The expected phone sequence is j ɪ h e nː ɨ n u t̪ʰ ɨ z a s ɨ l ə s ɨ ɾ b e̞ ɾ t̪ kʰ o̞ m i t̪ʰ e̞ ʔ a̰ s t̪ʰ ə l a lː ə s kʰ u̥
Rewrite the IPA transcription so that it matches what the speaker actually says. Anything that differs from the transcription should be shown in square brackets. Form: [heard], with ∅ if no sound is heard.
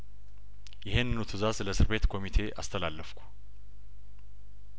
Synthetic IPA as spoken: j ɪ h e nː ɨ n u t̪ʰ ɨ z a s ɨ l ə s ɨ ɾ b e̞ [∅] t̪ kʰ o̞ m i t̪ʰ e̞ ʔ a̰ s t̪ʰ ə l a lː ə [f] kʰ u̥